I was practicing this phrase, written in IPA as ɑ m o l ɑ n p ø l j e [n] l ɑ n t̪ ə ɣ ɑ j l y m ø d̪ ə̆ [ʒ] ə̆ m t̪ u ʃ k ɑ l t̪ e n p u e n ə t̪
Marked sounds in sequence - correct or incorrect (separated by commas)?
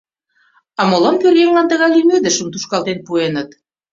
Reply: incorrect, incorrect